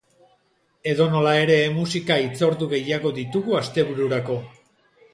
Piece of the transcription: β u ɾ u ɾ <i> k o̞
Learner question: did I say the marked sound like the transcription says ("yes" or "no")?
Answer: no